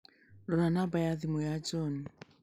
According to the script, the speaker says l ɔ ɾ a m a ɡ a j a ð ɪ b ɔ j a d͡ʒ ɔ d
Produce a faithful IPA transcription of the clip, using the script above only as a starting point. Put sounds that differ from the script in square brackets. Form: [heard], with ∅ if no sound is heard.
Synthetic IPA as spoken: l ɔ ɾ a [n] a [b] a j a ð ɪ [m] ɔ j a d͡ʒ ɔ [n]